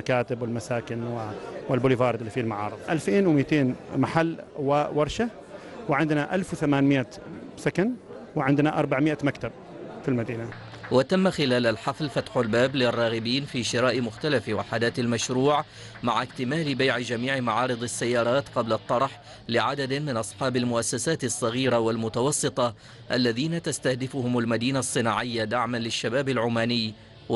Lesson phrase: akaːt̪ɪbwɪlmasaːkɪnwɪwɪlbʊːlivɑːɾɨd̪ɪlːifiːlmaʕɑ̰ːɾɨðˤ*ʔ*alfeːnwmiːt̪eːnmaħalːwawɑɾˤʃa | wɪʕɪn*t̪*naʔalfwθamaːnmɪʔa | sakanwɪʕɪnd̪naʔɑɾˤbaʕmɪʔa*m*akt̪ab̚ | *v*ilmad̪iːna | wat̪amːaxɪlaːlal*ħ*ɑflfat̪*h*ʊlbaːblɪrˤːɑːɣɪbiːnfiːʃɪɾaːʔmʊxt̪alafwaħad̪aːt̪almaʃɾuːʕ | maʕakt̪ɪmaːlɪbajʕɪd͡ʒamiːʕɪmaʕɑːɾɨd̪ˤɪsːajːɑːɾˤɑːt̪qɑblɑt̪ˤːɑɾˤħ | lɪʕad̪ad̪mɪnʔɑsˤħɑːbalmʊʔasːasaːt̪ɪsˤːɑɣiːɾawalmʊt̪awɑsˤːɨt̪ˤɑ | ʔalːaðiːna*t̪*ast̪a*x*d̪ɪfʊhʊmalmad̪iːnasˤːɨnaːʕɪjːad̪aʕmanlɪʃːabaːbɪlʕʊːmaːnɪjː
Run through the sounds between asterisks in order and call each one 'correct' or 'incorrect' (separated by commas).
correct, incorrect, correct, incorrect, correct, incorrect, correct, incorrect